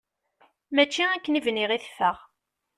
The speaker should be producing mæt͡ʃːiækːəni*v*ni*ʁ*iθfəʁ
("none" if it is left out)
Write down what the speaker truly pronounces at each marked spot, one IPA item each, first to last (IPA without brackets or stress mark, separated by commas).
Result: v, ʁ